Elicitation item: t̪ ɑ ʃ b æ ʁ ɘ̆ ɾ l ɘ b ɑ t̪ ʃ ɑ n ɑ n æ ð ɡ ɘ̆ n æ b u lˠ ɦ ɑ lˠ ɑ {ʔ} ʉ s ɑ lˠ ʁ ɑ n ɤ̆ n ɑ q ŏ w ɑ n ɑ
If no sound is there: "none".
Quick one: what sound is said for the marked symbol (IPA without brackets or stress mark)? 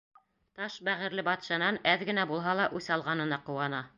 ʔ